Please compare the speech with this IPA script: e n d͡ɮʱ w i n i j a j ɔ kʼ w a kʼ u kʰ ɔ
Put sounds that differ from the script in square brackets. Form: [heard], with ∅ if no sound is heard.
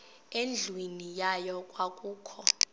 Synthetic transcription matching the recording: e n d͡ɮʱ w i n i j a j ɔ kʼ w a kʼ [uː] kʰ ɔ